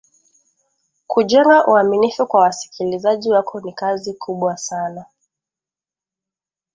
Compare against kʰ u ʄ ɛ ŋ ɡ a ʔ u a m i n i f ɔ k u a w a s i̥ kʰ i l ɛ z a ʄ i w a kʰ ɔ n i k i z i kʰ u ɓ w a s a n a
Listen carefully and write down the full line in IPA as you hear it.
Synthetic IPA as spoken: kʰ u ʄ ɛ ŋ ɡ a ʔ u a m i n i f u k w a w a s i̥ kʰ i l i z a ʄ i w a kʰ ɔ n i k a z i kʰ u ɓ w a s a n a